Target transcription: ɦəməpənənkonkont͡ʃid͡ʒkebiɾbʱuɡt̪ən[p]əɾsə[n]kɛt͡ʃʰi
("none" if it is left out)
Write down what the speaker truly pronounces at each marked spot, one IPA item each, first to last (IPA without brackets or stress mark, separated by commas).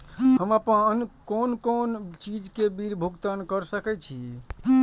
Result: k, none